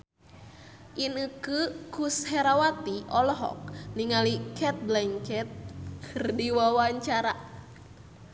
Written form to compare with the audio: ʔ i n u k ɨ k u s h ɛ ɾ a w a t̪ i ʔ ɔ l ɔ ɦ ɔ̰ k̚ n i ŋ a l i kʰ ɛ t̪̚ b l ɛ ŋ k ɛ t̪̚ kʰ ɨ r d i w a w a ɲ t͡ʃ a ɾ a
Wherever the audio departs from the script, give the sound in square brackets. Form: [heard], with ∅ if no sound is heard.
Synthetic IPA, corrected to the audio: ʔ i n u k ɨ k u s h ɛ ɾ a w a t̪ i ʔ ɔ l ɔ ɦ ɔ̰ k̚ n i ŋ a l i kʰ ɛ t̪̚ b l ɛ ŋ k ɛ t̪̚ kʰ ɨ r d i w a w a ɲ t͡ʃ a ɾ a